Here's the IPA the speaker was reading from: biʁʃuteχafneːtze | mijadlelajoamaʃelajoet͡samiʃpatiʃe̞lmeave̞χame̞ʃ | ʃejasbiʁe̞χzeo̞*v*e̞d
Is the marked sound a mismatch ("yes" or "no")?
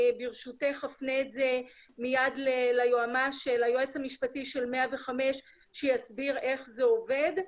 no